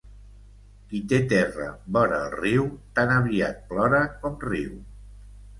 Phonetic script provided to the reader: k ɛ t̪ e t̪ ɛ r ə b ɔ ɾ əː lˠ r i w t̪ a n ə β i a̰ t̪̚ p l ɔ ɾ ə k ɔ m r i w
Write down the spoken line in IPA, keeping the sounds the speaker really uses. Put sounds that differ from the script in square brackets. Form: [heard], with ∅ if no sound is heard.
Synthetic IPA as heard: k [i] t̪ e t̪ ɛ r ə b ɔ ɾ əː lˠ r i w t̪ a n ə β i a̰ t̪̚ p l ɔ ɾ ə k ɔ m r i w